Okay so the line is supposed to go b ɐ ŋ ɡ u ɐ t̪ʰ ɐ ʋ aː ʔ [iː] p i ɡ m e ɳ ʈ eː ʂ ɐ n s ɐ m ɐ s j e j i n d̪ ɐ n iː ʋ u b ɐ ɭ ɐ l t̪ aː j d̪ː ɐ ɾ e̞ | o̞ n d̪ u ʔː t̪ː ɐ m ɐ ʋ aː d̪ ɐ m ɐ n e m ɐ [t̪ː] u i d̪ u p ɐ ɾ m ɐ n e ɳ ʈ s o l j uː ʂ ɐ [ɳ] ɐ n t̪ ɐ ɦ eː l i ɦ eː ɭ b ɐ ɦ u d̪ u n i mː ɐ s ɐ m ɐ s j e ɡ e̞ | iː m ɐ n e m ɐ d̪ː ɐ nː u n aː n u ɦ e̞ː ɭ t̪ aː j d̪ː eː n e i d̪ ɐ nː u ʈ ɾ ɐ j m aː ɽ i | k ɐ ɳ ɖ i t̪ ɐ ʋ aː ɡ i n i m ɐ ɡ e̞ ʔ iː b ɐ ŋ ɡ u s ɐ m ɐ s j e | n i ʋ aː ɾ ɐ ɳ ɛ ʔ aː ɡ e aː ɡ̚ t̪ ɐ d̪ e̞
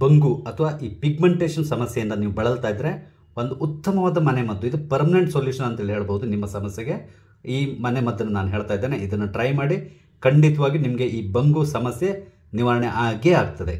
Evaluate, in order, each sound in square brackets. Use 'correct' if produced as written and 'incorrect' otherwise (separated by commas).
correct, incorrect, incorrect